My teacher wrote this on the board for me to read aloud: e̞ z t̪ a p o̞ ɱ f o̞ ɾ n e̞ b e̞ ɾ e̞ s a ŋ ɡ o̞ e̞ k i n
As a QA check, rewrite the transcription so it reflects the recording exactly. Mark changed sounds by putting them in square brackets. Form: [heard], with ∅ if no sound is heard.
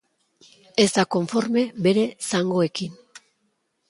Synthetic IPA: e̞ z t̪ a [k] o̞ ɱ f o̞ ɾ [m] e̞ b e̞ ɾ e̞ s a ŋ ɡ o̞ e̞ k i n